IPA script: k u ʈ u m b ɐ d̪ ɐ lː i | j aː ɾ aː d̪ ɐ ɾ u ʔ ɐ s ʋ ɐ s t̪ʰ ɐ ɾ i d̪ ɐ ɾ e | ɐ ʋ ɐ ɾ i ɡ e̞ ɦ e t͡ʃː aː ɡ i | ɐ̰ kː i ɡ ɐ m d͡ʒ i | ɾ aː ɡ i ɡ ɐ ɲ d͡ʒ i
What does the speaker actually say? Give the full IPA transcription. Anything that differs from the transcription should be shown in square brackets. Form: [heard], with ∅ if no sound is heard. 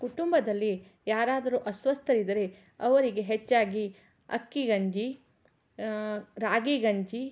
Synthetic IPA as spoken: k u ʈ u m b ɐ d̪ ɐ lː i | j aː ɾ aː d̪ ɐ ɾ u ʔ ɐ s ʋ ɐ s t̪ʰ ɐ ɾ i d̪ ɐ ɾ e | ɐ ʋ ɐ ɾ i ɡ e̞ ɦ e t͡ʃː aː ɡ i | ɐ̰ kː i ɡ ɐ [ɲ] d͡ʒ i | ɾ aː ɡ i ɡ ɐ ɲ d͡ʒ i